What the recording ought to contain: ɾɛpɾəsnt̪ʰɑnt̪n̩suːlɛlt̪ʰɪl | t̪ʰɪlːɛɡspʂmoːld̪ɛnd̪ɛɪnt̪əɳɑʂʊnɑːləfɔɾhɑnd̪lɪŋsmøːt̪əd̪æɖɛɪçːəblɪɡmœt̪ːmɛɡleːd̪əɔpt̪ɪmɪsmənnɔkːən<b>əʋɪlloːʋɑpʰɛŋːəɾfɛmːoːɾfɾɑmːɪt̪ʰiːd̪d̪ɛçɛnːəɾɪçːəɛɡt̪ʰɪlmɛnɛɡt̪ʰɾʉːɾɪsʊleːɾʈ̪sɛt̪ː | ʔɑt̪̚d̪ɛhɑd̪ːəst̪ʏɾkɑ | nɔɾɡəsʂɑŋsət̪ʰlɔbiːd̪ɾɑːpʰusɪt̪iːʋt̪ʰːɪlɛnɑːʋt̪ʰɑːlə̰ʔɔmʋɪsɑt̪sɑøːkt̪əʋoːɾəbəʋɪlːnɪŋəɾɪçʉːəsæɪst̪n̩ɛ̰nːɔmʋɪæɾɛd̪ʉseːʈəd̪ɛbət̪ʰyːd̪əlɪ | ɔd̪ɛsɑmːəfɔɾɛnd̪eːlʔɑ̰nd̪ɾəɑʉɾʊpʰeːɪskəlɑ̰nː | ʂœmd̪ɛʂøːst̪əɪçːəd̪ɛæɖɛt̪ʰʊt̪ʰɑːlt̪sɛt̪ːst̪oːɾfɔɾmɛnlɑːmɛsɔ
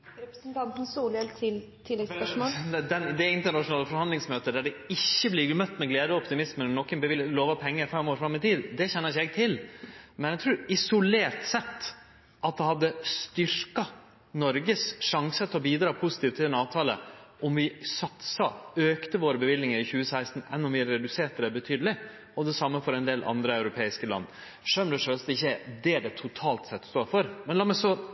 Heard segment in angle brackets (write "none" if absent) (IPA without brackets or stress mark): b